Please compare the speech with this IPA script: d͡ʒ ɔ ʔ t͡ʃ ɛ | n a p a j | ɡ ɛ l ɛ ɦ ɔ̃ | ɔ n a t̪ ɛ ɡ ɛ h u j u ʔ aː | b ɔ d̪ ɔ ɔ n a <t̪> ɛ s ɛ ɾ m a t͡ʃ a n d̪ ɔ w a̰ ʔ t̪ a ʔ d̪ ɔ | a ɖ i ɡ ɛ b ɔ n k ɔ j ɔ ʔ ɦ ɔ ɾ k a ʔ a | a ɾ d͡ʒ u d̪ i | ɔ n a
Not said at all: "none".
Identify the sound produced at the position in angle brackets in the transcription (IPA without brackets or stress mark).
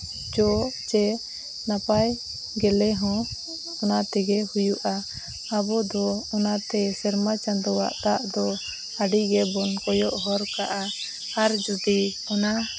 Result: t̪